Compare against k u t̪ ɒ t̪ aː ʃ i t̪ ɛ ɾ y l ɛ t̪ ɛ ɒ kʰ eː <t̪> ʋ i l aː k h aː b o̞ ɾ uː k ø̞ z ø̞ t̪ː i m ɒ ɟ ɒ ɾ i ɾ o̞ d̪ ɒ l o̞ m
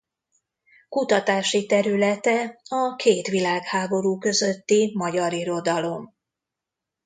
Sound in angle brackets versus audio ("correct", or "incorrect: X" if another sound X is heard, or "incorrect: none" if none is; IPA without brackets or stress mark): correct